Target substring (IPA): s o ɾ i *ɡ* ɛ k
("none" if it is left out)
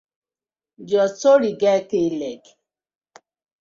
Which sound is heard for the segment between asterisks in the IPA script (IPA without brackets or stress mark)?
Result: ɡ